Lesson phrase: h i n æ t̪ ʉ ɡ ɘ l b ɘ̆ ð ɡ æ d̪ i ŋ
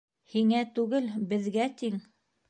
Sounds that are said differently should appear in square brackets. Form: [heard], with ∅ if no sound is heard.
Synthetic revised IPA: h i [ŋ] æ t̪ ʉ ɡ ɘ l b ɘ̆ ð ɡ æ [t̪] i ŋ